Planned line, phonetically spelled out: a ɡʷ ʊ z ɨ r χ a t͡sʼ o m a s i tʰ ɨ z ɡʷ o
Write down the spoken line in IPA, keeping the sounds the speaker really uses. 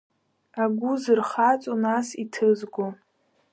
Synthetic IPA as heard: a ɡʷ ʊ z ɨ r χ a t͡sʼ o n a s i tʰ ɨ z ɡʷ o

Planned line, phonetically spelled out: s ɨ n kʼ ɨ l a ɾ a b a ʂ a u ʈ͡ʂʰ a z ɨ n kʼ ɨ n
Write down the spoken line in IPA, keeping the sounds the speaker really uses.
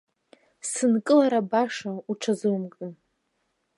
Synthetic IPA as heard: s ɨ n kʼ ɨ l a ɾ a b a ʂ a u ʈ͡ʂʰ a z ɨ m kʼ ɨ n

